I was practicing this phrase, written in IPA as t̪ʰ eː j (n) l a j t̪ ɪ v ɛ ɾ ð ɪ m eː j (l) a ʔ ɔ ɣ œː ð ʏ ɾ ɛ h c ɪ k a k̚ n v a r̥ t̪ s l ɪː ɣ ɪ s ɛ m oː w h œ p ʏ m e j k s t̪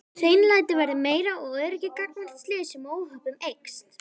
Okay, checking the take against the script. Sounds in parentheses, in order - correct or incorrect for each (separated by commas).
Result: correct, incorrect